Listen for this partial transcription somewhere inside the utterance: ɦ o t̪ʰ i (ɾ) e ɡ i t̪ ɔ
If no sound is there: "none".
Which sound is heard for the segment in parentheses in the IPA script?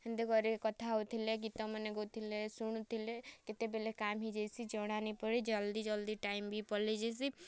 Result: l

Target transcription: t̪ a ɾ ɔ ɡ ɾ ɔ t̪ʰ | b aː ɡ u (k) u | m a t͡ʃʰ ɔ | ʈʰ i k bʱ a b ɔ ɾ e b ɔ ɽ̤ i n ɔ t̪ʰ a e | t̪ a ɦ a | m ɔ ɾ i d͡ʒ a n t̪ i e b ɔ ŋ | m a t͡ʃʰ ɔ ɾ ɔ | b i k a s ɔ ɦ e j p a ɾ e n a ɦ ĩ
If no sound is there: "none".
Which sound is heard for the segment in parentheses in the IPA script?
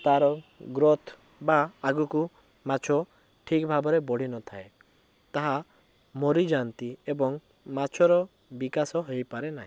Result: k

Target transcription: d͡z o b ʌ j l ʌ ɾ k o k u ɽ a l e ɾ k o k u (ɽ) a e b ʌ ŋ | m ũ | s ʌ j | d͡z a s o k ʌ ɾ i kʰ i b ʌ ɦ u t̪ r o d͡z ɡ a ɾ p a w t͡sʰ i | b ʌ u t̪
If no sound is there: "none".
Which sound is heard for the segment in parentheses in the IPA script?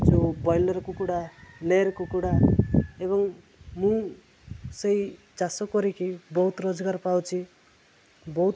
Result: ɽ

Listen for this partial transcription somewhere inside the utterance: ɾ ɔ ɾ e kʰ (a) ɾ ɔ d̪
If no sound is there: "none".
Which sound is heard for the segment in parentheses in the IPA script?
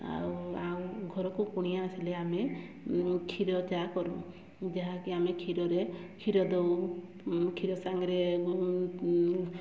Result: i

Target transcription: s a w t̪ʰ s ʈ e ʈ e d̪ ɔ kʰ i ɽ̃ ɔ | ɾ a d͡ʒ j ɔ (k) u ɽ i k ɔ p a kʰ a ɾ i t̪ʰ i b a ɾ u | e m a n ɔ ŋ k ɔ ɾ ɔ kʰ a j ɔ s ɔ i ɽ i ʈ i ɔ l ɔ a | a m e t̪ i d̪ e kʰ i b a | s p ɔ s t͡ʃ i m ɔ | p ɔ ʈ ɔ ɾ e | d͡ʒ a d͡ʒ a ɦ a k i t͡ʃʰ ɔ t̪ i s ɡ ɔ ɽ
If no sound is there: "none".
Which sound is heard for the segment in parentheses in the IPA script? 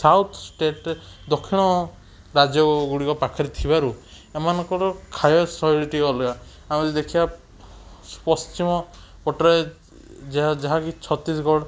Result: ɡ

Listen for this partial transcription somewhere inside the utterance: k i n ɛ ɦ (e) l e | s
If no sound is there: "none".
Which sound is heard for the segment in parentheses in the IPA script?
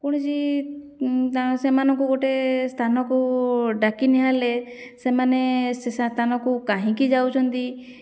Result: a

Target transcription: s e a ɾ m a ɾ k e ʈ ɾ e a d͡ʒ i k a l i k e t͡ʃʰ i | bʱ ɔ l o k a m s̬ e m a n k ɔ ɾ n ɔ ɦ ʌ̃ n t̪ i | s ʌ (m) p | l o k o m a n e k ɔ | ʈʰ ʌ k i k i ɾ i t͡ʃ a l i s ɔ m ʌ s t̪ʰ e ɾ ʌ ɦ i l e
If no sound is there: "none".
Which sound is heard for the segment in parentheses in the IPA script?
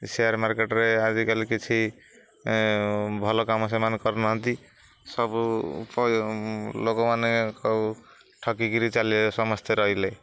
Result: b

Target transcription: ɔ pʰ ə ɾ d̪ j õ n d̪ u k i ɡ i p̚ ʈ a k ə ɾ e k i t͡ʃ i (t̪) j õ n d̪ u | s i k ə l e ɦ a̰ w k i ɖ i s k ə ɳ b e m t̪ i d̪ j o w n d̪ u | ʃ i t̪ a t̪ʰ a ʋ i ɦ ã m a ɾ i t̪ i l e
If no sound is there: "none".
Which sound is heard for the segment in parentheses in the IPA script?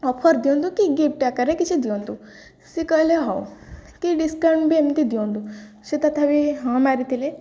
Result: d̪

